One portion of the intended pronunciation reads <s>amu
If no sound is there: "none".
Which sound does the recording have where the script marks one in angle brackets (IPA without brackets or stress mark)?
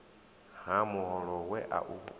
h